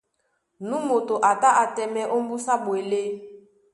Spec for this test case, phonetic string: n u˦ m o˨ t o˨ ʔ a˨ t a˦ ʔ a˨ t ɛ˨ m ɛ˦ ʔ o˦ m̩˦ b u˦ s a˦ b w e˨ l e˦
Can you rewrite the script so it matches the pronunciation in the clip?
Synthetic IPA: n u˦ m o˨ t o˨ ʔ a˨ t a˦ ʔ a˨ t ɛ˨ m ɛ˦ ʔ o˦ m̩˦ b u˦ s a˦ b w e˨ l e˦